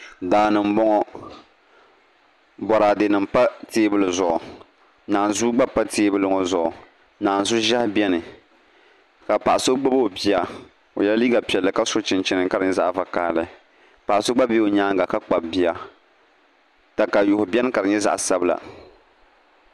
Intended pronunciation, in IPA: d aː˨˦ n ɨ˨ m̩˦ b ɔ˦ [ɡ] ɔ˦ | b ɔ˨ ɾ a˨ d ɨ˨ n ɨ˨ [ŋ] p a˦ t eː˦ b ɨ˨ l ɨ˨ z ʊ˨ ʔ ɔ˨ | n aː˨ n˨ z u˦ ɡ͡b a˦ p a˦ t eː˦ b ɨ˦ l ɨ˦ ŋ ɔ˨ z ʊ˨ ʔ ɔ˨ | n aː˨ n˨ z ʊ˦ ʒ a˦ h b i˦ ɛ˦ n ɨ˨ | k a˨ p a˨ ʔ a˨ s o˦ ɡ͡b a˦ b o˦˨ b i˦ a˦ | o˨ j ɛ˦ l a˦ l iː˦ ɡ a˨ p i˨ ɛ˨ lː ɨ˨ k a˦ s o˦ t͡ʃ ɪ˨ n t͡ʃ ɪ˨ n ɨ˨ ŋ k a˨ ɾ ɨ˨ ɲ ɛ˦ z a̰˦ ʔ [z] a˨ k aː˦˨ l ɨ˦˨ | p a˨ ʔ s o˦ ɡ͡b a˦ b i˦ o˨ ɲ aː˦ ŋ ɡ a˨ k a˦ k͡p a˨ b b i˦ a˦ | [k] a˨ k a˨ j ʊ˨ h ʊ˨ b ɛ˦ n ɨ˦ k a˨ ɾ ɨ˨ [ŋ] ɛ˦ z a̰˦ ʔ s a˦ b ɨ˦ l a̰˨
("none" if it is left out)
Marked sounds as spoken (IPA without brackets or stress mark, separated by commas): ŋ, m, v, t, ɲ